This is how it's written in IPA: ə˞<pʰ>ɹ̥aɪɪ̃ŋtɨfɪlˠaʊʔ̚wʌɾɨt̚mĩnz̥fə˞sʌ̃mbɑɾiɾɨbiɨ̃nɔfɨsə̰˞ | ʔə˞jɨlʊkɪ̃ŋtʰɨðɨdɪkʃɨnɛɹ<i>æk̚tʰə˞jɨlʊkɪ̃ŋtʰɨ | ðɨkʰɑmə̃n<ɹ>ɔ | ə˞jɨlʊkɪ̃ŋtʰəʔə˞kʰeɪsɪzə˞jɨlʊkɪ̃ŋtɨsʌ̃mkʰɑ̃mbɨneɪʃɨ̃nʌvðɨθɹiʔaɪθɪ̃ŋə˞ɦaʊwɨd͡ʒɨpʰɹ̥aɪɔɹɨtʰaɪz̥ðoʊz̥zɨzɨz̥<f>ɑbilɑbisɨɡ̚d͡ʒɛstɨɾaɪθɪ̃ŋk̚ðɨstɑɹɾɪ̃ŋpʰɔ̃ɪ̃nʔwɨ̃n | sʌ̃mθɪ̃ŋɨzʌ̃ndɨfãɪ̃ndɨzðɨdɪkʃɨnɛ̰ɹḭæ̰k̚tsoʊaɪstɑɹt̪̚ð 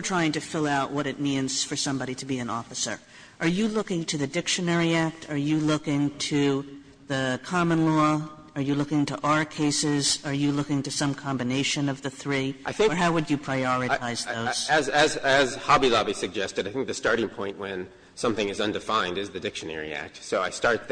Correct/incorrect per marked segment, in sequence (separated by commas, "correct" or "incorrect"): incorrect, correct, incorrect, incorrect